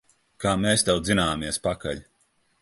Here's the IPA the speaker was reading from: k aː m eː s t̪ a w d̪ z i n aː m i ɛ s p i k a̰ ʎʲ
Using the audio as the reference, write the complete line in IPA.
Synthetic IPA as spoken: k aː m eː s t̪ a w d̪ z i n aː m i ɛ s p a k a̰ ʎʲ

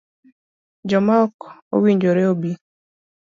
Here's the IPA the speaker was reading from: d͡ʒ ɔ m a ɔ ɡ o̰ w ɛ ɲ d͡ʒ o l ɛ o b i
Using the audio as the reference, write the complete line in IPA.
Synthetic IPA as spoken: d͡ʒ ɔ m a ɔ k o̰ w i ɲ d͡ʒ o ɾ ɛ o b i

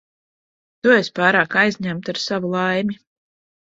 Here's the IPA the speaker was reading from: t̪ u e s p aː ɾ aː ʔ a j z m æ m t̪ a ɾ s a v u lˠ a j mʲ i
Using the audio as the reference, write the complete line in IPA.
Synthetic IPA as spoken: t̪ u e s p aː ɾ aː k a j z ɲ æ m t̪ a ɾ s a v u lˠ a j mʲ i

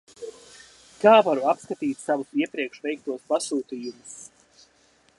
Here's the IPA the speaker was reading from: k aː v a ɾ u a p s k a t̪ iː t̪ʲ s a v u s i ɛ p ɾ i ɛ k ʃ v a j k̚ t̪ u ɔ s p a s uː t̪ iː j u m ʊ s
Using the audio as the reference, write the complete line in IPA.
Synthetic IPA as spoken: k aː v a ɾ u a p s k a t̪ iː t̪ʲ s a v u s i ɛ p ɾ i ɛ k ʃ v ɛ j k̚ t̪ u ɔ s p a s uː t̪ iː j u m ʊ s

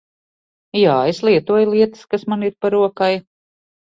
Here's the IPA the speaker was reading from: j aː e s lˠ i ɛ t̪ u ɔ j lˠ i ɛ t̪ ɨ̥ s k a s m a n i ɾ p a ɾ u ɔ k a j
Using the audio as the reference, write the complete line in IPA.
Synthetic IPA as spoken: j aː e s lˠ i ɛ t̪ u ɔ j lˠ i ɛ t̪ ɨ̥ s k a s m a n i ɾ p a ɾ u ɔ k a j

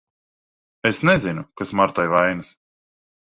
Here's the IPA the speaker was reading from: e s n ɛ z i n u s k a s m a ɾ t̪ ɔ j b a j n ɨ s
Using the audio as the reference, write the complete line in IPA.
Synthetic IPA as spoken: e s n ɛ z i n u k a s m a ɾ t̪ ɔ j v a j n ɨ s

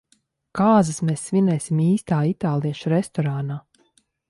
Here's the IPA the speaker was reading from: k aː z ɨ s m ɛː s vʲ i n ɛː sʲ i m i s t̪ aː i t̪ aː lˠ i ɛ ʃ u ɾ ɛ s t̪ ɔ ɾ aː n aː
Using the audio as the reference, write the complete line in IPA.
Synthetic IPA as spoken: k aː z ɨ s m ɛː s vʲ i n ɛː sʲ i m iː s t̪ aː i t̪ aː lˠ i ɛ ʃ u ɾ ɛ s t̪ ɔ ɾ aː n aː

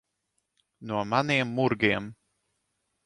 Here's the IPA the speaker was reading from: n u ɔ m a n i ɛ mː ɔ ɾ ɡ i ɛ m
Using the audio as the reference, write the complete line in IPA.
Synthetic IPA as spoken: n u ɔ m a n i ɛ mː u ɾ ɡ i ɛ m

